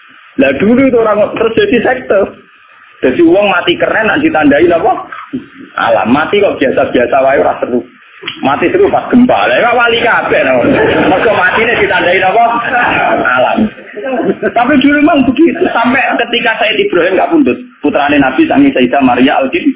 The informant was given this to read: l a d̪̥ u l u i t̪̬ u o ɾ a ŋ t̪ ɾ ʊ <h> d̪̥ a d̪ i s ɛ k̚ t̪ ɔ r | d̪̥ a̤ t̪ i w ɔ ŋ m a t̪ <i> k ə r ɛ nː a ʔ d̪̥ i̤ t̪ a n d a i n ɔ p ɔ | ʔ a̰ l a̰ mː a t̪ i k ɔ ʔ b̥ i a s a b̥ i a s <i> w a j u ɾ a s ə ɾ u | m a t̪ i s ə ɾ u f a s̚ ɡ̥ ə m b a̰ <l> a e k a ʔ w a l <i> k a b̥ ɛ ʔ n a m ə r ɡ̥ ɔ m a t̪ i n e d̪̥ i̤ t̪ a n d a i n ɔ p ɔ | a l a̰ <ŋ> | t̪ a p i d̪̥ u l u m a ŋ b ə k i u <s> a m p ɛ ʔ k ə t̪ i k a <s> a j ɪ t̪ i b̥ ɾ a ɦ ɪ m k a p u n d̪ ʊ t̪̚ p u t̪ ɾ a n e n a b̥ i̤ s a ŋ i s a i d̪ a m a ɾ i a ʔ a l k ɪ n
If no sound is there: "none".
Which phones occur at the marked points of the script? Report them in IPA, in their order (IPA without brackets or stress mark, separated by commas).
s, i, a, l, i, m, s, s